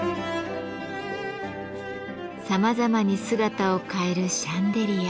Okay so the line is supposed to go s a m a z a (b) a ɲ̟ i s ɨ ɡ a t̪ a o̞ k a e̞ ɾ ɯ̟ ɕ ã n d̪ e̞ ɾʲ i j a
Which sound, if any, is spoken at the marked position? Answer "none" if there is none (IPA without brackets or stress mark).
m